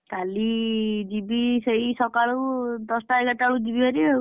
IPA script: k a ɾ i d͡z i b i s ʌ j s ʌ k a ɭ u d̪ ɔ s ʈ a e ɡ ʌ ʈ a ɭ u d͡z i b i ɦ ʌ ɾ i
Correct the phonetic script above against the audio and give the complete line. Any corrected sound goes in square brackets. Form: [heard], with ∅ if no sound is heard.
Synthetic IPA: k a [l] i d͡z i b i s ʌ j s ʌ k a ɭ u d̪ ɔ s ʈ a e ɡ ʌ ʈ a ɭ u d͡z i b i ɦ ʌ ɾ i